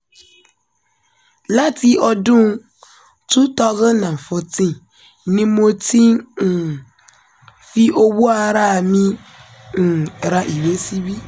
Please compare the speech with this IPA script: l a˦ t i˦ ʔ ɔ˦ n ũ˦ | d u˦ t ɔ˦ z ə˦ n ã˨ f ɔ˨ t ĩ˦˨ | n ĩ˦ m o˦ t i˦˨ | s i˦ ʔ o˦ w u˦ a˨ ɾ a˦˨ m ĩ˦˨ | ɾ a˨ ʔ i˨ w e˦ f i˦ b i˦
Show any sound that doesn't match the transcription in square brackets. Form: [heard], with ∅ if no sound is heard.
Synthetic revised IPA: l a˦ t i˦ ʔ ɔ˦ [d] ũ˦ | [t] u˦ t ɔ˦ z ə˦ n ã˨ f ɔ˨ t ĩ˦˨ | n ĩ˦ m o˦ t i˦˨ | [f] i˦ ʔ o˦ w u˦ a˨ ɾ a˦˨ m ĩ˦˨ | ɾ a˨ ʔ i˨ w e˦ [s] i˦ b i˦